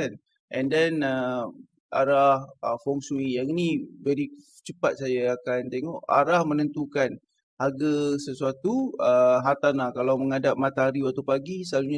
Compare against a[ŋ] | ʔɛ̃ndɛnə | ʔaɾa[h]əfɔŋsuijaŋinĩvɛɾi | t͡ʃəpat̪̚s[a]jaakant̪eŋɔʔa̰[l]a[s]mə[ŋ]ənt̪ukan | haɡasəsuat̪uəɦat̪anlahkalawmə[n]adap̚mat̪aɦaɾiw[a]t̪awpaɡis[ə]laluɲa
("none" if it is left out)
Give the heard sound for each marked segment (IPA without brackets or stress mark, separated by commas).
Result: n, h, a, ɾ, h, n, ŋ, a, ə